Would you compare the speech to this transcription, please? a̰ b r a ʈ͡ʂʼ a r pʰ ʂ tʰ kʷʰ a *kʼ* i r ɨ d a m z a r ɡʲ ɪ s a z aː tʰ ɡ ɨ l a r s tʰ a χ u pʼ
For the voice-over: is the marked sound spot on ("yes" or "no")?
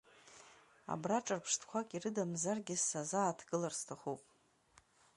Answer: yes